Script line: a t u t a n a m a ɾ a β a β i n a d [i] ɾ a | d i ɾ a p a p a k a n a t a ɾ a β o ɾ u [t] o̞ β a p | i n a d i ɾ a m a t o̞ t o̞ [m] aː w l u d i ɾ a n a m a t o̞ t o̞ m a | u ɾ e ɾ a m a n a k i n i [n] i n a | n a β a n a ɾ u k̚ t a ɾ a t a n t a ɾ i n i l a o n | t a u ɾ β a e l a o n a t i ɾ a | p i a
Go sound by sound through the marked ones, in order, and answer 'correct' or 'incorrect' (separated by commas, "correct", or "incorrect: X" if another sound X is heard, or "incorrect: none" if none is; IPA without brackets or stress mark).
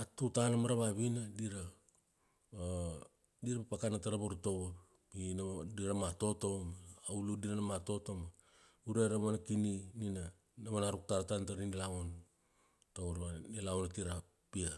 correct, correct, correct, correct